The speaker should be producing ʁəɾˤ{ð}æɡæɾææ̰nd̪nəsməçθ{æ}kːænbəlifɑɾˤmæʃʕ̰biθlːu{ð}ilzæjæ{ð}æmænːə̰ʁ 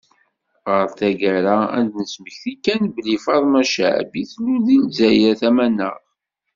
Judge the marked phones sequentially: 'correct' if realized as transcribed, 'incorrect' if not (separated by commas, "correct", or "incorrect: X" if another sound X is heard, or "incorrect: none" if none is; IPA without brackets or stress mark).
incorrect: θ, incorrect: i, correct, incorrect: θ